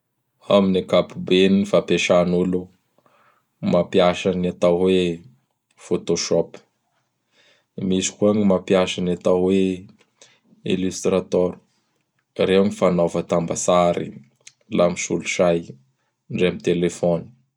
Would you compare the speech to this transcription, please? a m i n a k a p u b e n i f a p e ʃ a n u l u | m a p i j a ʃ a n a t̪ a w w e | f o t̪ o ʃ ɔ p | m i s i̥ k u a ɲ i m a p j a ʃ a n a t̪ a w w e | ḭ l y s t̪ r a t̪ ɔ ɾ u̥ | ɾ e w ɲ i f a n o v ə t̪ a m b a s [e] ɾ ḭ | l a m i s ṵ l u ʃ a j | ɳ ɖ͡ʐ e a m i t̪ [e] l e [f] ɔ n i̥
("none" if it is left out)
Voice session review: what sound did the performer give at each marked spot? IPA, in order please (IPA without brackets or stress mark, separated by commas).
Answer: a, e, f